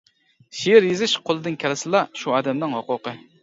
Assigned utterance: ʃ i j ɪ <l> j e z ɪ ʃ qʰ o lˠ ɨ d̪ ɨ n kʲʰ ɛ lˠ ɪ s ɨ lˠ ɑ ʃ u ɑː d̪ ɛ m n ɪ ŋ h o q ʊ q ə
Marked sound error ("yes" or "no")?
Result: yes